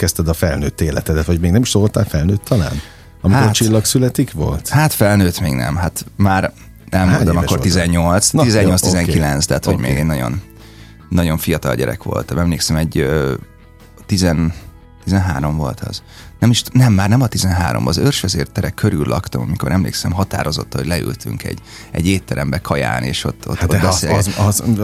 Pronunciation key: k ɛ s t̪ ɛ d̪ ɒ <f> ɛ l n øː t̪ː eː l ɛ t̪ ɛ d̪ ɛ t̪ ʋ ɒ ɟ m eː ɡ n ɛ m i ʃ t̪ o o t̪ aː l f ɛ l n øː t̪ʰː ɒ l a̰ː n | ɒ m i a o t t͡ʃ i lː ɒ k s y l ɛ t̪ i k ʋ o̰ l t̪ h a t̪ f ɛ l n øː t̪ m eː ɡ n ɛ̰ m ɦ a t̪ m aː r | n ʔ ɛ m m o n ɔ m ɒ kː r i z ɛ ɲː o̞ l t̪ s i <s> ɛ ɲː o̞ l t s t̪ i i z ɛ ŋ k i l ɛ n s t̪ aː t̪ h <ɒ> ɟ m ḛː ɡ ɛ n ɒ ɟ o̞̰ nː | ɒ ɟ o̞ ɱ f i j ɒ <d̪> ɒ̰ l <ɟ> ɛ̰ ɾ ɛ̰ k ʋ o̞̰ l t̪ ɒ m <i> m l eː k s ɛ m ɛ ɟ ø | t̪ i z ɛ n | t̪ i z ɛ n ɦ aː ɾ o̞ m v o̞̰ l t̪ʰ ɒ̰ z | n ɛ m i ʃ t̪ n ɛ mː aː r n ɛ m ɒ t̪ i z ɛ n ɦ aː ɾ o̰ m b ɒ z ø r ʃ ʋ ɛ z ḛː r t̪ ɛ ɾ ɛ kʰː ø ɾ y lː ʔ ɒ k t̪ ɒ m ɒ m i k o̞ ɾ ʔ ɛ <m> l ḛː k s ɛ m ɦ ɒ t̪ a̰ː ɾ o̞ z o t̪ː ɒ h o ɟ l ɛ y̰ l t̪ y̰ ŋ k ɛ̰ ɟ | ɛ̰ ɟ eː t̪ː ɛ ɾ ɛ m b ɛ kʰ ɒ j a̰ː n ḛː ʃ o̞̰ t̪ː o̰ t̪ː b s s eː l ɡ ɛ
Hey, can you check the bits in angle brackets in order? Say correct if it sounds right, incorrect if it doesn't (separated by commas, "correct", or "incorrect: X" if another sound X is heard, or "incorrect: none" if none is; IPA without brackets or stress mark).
correct, incorrect: z, incorrect: o, incorrect: t̪, correct, incorrect: ɛ, correct